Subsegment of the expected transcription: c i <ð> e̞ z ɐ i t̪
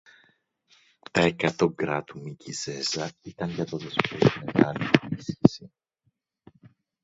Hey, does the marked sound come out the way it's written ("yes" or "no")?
no